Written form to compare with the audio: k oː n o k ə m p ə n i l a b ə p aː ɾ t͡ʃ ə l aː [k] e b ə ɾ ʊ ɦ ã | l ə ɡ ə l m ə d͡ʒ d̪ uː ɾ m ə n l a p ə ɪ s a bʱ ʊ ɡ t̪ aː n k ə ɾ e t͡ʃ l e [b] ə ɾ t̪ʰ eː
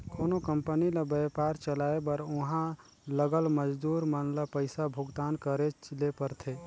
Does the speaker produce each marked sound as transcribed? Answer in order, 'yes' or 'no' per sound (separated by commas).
no, no